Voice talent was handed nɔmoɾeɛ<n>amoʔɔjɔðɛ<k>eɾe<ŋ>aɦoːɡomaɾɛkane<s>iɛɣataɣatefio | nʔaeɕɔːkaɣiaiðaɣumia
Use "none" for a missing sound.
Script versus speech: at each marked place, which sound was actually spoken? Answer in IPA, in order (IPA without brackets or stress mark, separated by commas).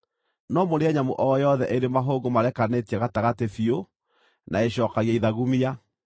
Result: ɲ, ʔ, m, t